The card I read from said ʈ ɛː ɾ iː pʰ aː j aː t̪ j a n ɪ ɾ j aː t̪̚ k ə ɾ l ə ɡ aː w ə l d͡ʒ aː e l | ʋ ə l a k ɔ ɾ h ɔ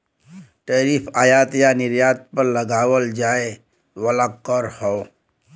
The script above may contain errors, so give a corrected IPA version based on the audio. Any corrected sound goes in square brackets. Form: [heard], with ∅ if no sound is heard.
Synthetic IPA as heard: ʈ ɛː ɾ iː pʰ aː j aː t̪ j a n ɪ ɾ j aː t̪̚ [p] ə ɾ l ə ɡ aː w ə l d͡ʒ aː e [∅] | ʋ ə l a k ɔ ɾ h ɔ